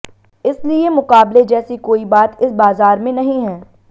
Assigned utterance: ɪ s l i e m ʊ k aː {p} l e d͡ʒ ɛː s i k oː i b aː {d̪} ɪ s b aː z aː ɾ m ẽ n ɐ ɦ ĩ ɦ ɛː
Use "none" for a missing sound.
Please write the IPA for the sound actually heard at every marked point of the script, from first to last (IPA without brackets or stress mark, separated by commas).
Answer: b, t̪